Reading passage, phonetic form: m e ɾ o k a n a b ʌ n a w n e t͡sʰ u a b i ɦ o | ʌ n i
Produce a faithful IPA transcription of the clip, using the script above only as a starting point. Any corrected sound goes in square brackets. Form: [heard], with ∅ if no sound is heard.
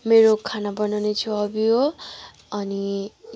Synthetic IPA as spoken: m e ɾ o [kʰ] a n a b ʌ n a w n e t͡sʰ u [ʌ] b i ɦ o | ʌ n i